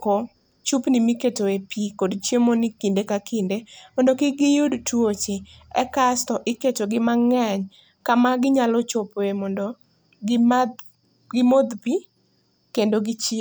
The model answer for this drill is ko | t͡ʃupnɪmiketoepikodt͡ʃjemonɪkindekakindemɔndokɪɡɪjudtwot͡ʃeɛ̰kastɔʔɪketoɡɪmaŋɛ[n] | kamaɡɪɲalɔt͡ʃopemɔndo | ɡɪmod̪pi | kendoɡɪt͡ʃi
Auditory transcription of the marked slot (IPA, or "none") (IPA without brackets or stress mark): ɲ